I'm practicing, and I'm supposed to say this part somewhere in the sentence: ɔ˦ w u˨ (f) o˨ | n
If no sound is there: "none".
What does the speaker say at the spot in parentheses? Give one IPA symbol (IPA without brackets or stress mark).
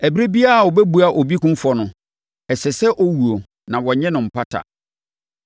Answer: none